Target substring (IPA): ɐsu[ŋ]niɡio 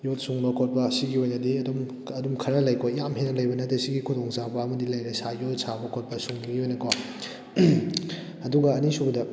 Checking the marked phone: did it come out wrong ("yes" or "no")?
no